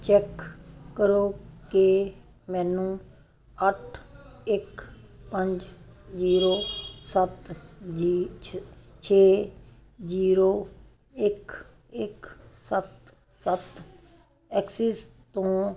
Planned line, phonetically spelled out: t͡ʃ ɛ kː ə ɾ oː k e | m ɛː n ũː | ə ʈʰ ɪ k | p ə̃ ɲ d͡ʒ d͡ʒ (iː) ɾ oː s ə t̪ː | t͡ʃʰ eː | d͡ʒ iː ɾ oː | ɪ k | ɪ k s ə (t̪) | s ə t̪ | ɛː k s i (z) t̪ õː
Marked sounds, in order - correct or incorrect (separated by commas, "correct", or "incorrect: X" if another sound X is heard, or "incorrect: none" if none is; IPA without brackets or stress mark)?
correct, correct, incorrect: s